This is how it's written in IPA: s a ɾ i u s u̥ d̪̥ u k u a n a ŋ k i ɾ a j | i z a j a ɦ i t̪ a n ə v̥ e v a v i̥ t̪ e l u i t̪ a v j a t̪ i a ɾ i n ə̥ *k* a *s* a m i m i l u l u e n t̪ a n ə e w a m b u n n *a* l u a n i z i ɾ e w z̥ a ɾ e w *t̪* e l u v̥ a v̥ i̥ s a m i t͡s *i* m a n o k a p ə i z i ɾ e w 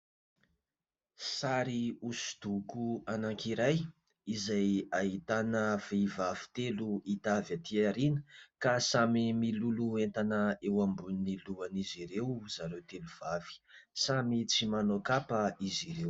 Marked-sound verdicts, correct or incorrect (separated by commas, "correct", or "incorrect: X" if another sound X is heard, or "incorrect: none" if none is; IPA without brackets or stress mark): correct, correct, incorrect: i, correct, correct